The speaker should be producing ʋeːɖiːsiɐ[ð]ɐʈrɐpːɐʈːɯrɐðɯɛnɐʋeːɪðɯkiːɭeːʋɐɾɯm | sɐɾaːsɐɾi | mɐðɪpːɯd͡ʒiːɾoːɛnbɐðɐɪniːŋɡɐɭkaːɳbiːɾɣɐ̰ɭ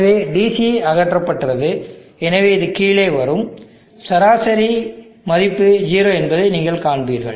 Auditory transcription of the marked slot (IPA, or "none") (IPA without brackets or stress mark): ɣ